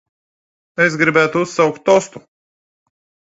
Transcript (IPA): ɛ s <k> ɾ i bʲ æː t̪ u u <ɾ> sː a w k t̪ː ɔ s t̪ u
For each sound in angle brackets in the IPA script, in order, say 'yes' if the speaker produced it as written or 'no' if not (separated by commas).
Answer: no, no